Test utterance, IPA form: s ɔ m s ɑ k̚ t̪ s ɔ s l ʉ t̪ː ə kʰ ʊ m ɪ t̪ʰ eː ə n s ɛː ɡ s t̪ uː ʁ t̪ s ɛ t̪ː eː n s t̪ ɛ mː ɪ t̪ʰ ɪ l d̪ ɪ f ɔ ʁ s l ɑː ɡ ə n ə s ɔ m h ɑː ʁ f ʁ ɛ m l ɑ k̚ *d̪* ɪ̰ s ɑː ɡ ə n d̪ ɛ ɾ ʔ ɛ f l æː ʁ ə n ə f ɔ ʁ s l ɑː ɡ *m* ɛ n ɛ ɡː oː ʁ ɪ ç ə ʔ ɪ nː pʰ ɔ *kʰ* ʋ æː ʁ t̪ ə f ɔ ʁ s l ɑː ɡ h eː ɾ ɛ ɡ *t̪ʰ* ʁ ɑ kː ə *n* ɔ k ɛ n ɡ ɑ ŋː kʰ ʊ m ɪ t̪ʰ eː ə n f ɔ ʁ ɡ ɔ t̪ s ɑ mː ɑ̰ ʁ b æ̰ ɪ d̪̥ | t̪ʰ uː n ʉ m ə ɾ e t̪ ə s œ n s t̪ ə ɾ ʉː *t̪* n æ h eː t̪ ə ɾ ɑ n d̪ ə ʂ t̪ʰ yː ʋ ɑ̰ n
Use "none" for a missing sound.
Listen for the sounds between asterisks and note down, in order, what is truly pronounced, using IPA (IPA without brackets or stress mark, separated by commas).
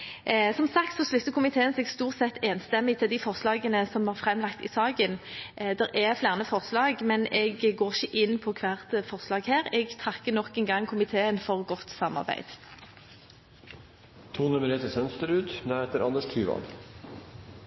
t̪, m, kʰ, t̪ʰ, n, d̪